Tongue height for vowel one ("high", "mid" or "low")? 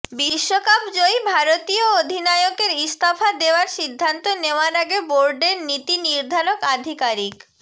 high